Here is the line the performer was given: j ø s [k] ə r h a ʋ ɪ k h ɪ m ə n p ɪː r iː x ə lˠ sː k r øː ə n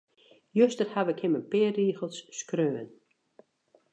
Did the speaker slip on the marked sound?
yes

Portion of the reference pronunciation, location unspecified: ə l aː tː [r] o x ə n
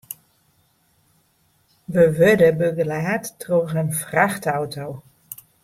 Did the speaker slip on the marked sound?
no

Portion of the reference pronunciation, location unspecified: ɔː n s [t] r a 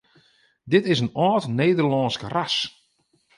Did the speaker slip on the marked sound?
yes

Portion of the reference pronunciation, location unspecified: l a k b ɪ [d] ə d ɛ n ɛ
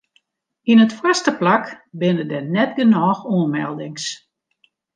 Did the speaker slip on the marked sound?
yes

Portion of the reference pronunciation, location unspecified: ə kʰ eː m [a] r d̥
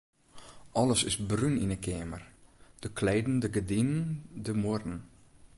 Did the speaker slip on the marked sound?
yes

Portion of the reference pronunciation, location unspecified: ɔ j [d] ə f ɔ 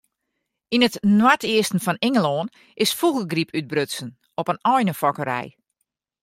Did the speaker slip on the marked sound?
yes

